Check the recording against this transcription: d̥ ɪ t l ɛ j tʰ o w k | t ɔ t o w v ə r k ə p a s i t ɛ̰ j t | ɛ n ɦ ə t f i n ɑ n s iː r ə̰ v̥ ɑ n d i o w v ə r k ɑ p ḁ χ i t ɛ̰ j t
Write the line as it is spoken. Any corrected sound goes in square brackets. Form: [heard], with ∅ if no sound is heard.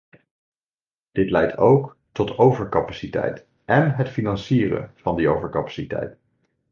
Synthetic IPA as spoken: d̥ ɪ t l ɛ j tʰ o w k | t ɔ t o w v ə [ɹ] k [ɑ] p a s i t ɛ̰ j t | ɛ n ɦ ə t f i n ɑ n s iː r ə̰ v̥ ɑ n d i o w v ə [ɹ] k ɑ p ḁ [s] i t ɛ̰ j t